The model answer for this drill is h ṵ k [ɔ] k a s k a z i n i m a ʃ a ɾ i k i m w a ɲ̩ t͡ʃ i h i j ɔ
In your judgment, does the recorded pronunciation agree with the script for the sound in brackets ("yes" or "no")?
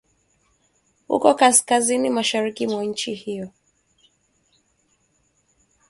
yes